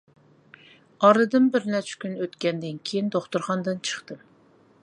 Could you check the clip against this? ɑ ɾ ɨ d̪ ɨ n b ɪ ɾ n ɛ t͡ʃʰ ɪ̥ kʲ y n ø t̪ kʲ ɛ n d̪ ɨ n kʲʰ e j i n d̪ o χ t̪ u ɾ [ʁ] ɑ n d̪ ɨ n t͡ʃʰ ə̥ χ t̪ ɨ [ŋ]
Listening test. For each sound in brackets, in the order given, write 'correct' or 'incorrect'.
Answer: incorrect: χ, incorrect: m

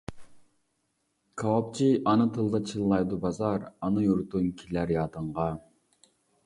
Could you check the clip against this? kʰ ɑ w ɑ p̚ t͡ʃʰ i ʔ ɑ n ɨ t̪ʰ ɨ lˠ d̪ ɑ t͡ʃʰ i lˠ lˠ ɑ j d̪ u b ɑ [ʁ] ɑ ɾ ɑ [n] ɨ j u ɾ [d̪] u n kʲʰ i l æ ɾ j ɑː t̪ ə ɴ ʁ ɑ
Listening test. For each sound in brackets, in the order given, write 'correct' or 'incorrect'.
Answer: incorrect: z, correct, incorrect: t̪

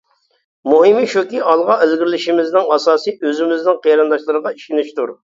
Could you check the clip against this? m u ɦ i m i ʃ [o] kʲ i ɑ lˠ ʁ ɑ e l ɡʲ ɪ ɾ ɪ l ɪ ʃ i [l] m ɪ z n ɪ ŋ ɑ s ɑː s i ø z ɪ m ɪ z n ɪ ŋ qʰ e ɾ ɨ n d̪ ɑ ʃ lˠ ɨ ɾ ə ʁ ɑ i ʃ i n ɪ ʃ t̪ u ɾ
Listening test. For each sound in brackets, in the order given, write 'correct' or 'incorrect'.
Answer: incorrect: u, incorrect: none

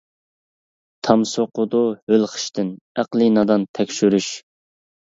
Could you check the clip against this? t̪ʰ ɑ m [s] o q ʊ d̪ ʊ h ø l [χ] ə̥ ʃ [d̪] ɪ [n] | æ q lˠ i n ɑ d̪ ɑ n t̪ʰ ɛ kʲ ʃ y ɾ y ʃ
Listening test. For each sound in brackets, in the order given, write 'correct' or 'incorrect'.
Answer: correct, correct, incorrect: t̪, correct

